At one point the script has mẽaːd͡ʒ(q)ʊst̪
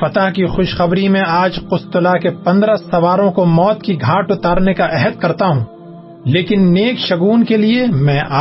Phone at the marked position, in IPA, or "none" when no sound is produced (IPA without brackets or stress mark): q